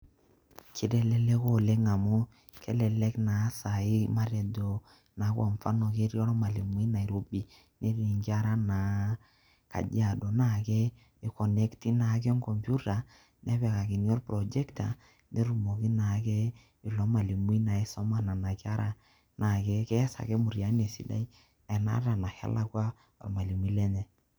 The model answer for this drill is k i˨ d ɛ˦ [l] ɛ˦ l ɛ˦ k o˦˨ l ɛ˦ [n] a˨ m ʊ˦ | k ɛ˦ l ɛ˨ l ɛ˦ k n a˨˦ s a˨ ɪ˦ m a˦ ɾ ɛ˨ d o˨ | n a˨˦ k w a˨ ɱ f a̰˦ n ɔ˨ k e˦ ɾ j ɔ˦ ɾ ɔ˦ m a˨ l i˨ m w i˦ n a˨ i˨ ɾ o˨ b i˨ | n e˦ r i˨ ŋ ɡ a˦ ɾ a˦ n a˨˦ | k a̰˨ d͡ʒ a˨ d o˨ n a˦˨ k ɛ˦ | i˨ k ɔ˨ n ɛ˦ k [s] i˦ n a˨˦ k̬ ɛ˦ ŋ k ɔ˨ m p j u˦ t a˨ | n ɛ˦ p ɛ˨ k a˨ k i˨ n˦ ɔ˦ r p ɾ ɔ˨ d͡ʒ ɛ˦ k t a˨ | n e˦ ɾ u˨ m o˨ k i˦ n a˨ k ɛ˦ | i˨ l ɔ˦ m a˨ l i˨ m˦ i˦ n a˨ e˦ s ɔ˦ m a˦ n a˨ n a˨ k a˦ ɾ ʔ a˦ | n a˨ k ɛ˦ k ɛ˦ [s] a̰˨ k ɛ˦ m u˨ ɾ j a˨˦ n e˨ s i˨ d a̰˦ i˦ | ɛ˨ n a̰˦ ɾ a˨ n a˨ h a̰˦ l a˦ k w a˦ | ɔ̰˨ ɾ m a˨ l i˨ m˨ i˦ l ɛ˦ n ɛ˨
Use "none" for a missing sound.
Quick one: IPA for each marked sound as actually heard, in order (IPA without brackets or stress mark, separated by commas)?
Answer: l, ŋ, t, s